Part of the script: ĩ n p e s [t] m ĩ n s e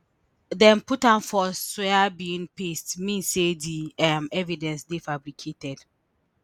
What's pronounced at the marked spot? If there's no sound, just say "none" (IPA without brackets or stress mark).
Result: t